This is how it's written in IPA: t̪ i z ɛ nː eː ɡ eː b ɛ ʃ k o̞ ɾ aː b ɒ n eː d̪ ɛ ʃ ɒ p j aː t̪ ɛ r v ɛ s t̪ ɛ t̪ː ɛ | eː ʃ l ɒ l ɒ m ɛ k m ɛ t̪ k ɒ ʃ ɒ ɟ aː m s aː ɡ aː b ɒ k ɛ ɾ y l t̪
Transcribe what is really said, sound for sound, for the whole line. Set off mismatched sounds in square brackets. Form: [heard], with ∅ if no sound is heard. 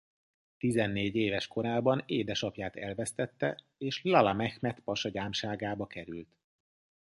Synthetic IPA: t̪ i z ɛ nː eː [ɟ] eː [v] ɛ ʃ k o̞ ɾ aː b ɒ n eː d̪ ɛ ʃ ɒ p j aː t̪ ɛ [l] v ɛ s t̪ ɛ t̪ː ɛ | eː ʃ l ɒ l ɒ m ɛ [x] m ɛ t̪ [p] ɒ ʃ ɒ ɟ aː m [ʃ] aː ɡ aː b ɒ k ɛ ɾ y l t̪